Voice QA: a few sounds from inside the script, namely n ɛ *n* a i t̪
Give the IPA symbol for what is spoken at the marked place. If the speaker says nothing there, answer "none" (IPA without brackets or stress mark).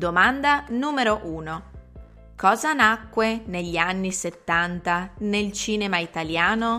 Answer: m